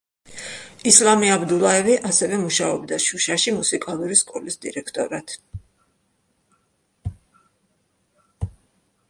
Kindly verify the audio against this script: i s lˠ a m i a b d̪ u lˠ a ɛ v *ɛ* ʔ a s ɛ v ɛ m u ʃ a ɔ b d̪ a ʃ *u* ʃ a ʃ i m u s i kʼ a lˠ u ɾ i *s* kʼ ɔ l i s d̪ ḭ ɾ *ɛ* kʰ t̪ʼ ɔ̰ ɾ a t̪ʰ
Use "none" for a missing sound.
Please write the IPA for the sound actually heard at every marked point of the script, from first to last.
i, u, s, ɛ

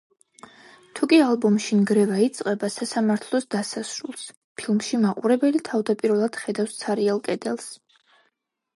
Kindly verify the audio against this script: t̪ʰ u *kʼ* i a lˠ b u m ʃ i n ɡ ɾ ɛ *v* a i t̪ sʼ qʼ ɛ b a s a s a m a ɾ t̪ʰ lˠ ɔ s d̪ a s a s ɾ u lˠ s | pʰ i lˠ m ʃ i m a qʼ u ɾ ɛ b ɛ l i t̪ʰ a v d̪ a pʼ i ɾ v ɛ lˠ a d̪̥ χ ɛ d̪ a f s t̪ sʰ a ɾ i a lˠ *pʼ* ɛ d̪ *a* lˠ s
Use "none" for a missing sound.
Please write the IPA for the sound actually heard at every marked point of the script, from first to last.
kʼ, v, kʼ, ɛ

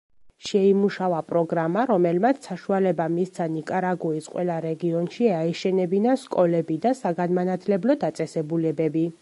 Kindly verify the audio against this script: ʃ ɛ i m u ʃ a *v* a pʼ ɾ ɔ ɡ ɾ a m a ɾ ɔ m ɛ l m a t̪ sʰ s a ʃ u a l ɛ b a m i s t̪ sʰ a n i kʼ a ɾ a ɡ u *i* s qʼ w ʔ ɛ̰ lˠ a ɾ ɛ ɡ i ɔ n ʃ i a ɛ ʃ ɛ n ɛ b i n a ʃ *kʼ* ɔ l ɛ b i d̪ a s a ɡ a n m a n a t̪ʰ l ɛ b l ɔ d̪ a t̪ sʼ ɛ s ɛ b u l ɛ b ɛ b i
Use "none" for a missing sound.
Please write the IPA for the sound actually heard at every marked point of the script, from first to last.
v, i, kʼ

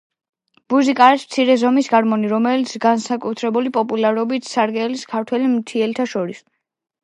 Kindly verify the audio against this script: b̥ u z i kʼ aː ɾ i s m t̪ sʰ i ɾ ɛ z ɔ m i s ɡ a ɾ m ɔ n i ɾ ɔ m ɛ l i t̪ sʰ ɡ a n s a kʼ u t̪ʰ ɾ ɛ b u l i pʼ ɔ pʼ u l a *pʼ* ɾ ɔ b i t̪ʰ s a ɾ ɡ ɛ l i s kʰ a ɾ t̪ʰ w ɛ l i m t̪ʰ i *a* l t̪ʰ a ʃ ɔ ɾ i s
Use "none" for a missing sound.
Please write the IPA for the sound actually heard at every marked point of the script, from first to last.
none, ɛ

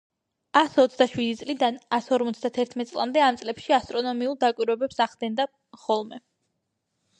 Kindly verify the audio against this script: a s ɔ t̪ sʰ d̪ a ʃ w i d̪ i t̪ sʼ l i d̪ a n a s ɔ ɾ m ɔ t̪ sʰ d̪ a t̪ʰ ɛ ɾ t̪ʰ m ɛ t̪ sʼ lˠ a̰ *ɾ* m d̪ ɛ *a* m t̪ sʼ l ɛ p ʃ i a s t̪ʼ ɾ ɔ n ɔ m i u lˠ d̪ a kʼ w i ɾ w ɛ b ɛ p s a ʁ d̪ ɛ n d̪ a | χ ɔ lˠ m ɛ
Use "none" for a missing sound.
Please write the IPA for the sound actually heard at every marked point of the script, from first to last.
none, a

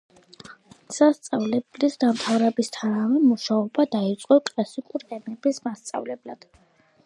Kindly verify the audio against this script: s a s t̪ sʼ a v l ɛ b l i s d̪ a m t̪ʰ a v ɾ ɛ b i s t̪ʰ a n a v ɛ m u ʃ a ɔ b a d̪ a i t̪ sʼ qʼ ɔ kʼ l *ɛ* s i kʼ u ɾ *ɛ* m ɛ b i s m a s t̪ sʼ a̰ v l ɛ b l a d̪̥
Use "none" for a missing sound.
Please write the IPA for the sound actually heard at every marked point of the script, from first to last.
a, ɛ

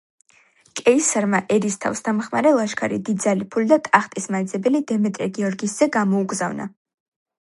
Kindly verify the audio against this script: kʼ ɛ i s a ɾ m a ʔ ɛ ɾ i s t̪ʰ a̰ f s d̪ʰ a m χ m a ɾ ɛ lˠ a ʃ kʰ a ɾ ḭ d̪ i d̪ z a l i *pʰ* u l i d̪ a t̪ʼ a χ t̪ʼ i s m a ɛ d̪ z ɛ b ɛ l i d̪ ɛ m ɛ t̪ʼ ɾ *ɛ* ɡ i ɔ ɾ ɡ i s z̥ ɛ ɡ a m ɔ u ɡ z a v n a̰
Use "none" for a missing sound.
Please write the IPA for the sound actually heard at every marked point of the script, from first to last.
pʰ, ɛ

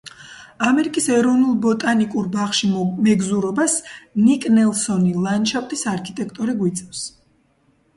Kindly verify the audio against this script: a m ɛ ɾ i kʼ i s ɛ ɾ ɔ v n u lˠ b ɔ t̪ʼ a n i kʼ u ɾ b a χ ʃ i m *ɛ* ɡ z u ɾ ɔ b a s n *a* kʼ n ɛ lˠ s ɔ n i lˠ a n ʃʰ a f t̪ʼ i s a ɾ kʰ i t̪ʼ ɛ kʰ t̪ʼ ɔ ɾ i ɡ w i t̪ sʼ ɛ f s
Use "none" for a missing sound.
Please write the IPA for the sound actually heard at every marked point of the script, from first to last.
ɛ, i

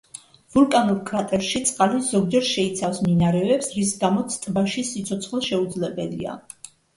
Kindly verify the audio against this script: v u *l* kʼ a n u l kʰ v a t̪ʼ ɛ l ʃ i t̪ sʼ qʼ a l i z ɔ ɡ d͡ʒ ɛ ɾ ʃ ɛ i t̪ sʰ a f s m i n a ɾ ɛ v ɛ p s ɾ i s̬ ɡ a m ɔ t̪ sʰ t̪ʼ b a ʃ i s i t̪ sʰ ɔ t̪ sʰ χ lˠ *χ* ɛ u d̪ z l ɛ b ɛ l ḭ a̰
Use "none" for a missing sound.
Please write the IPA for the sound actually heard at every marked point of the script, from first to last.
l, ʃ

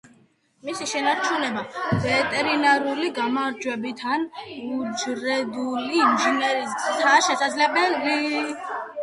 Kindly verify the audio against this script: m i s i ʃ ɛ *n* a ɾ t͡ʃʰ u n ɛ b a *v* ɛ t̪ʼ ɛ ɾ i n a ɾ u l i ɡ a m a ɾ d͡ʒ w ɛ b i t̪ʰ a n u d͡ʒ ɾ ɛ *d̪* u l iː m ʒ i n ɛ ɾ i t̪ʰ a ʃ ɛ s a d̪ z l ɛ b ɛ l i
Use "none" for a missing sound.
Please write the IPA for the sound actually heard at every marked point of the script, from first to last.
n, v, d̪

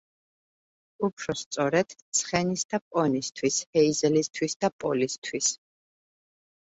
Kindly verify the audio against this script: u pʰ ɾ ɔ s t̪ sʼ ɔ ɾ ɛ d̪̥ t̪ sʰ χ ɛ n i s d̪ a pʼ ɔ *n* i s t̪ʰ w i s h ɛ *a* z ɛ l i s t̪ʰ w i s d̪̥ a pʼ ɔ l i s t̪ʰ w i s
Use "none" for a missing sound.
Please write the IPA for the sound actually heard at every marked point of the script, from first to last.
n, i

